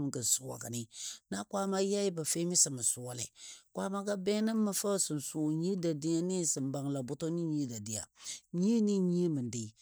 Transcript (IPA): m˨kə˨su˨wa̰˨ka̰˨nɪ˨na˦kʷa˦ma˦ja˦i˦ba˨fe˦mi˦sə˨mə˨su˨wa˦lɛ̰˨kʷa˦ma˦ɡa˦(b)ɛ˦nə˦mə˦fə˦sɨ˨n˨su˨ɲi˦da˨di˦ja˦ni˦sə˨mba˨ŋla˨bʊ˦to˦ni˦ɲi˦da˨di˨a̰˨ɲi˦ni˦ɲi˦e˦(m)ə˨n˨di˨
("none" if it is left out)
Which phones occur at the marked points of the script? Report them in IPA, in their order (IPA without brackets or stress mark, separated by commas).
b, m